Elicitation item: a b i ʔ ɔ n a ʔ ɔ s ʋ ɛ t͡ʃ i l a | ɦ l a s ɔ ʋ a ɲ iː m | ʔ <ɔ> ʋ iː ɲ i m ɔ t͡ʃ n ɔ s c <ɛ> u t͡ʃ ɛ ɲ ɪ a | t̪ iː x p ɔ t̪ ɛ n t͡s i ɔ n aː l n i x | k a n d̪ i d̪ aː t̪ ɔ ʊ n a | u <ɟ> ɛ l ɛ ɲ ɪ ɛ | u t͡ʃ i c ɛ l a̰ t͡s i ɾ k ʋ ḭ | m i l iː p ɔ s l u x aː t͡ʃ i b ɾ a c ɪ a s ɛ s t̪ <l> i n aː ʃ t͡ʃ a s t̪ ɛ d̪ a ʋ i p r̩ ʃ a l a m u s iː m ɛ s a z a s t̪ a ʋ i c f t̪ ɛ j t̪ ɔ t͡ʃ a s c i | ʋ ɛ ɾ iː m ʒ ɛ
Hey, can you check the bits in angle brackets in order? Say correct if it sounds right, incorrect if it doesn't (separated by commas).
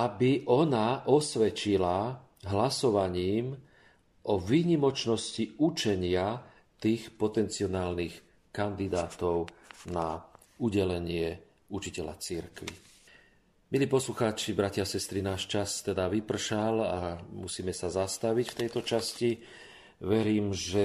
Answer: correct, incorrect, correct, incorrect